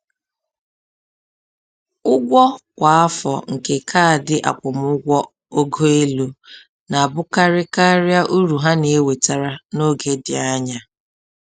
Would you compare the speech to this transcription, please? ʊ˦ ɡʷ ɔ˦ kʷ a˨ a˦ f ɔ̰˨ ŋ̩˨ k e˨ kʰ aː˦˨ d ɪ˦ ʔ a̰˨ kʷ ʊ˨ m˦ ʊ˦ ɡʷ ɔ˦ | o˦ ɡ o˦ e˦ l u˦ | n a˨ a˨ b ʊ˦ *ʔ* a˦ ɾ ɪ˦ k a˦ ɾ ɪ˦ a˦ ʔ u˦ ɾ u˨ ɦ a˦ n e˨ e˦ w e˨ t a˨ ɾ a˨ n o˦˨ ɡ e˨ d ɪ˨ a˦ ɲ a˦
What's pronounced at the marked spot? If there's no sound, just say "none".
k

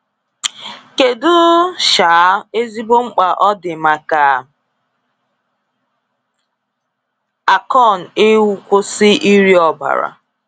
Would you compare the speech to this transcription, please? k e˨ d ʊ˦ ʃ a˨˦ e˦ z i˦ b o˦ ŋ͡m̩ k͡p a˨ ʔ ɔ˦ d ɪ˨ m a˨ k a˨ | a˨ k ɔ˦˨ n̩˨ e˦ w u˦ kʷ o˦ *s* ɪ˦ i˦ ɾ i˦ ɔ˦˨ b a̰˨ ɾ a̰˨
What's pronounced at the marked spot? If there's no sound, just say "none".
s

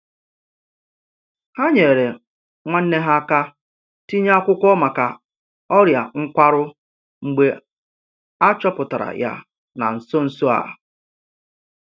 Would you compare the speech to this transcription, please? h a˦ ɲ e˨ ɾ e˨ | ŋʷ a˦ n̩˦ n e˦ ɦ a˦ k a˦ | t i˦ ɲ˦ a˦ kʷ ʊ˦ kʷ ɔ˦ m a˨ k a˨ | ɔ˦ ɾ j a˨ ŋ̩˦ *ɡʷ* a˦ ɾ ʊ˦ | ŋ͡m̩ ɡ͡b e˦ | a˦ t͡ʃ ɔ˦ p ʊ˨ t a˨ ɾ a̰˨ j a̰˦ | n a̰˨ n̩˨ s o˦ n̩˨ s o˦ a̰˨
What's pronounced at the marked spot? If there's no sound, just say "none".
kʷ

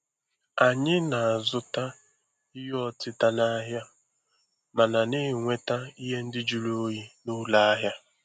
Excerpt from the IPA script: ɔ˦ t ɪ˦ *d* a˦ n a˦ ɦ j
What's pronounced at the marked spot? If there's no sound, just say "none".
t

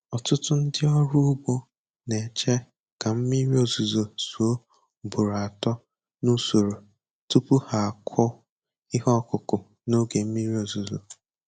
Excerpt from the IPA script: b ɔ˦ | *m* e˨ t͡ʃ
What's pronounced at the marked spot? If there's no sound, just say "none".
n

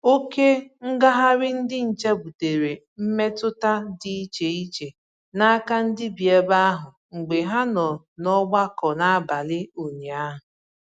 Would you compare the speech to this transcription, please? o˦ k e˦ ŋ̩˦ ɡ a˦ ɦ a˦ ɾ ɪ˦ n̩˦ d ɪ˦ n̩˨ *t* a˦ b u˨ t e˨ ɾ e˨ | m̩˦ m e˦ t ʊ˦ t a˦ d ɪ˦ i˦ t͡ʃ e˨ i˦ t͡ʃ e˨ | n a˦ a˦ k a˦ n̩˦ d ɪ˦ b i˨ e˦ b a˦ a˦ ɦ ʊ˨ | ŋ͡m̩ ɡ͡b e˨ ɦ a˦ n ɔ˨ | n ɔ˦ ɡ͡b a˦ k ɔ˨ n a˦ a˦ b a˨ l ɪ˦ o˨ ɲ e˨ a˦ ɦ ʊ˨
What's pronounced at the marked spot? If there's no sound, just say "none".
t͡ʃ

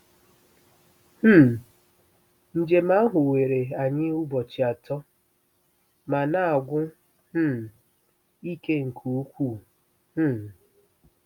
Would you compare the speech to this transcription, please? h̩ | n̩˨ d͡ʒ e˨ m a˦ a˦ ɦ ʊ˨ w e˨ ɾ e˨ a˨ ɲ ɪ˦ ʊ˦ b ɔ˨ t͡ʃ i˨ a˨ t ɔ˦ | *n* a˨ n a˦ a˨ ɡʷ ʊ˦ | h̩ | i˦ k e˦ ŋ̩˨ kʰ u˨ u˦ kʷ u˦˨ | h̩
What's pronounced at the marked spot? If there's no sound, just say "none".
m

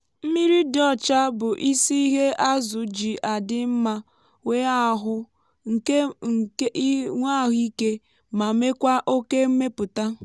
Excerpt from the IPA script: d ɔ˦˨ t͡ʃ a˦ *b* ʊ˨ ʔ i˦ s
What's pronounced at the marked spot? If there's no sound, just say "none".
b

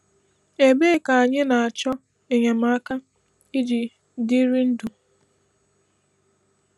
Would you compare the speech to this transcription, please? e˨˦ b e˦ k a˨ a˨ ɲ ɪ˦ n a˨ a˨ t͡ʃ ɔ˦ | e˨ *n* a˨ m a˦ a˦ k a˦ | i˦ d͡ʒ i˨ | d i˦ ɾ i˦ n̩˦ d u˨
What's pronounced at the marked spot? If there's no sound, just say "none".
ɲ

